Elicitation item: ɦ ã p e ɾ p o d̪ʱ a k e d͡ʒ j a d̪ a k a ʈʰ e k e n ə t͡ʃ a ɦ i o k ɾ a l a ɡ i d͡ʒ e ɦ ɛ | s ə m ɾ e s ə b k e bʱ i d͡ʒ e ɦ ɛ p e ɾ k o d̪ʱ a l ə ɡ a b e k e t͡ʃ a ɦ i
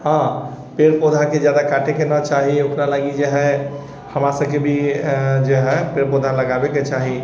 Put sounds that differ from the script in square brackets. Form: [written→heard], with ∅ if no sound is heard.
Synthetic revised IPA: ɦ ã p e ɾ p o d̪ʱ a k e d͡ʒ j a d̪ a k a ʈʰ e k e n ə t͡ʃ a ɦ i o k ɾ a l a ɡ i d͡ʒ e ɦ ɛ | [s→h] ə m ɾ [e→a] s ə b k e bʱ i d͡ʒ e ɦ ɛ p e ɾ [k→p] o d̪ʱ a l ə ɡ a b e k e t͡ʃ a ɦ i